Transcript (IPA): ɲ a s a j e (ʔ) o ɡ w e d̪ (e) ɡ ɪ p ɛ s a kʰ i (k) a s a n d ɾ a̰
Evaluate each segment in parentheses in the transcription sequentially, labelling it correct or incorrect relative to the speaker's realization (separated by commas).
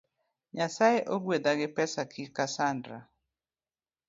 correct, incorrect, correct